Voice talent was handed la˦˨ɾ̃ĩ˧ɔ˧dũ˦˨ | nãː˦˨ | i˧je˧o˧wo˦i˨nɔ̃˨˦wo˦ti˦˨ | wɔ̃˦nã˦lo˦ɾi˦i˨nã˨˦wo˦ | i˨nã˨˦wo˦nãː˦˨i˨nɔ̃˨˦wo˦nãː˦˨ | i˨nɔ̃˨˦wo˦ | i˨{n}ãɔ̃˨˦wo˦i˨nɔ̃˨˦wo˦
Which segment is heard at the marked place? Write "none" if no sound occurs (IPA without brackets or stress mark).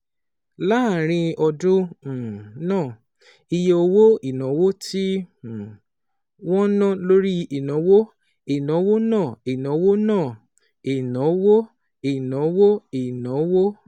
n